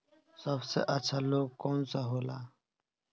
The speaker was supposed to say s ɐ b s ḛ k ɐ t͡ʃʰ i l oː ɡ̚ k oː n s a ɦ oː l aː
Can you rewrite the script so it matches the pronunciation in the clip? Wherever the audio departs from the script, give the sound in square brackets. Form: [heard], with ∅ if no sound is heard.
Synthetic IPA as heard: s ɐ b s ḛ [ʔ] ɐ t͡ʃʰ [a] l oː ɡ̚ k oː n s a ɦ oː l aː